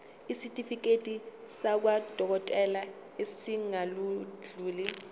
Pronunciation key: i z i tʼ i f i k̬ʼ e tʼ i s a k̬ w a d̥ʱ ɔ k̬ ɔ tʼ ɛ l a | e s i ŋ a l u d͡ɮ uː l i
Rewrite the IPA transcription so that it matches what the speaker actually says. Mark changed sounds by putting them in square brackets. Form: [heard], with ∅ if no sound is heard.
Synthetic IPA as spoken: i [s] i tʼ i f i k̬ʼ e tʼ i s a k̬ w a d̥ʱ ɔ k̬ ɔ tʼ ɛ l a | e s i ŋ a l u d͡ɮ uː l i